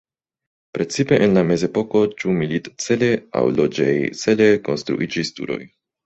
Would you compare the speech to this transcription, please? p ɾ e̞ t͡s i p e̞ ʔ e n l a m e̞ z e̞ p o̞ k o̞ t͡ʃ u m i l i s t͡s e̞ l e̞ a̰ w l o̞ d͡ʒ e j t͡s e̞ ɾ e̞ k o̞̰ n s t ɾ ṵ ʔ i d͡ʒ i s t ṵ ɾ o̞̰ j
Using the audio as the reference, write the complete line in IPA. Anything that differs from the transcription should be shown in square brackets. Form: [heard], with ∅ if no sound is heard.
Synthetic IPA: p ɾ e̞ t͡s i p e̞ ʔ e n l a m e̞ z e̞ p o̞ k o̞ t͡ʃ u m i l i [t] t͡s e̞ l e̞ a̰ w l o̞ d͡ʒ e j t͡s e̞ [l] e̞ k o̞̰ n s t ɾ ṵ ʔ i d͡ʒ i s t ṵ ɾ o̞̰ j